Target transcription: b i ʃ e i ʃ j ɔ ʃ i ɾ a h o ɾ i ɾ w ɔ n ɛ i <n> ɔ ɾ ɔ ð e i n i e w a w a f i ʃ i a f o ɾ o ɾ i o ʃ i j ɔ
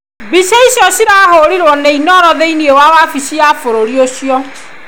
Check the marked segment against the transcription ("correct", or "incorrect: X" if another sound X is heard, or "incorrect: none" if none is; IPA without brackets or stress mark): correct